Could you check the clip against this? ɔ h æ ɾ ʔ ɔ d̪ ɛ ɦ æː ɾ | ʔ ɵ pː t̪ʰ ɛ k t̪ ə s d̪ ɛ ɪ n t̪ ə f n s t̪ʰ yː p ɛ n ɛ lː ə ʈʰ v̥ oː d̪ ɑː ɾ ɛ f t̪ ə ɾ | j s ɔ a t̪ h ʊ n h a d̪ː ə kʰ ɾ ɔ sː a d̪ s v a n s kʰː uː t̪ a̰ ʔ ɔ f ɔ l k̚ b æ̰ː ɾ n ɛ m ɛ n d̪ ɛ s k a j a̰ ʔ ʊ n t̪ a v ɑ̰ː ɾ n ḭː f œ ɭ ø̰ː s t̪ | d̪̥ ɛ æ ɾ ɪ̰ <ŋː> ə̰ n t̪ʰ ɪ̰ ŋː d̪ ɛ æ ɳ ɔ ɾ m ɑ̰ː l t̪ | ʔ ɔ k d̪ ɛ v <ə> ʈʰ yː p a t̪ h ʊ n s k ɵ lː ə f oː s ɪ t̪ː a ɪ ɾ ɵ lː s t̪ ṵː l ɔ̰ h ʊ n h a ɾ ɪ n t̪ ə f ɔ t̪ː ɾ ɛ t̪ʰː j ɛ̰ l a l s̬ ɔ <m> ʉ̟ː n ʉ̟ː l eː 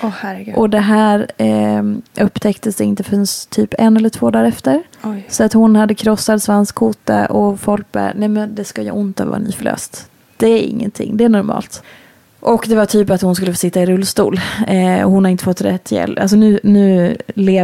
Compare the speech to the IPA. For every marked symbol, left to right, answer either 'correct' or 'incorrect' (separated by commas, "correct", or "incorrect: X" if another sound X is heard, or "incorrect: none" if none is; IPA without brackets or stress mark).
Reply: correct, incorrect: a, incorrect: n